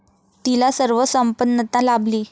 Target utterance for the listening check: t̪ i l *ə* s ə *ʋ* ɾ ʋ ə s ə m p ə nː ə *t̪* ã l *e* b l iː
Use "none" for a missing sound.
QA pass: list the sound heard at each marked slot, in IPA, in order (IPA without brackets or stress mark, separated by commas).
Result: a, none, t̪, a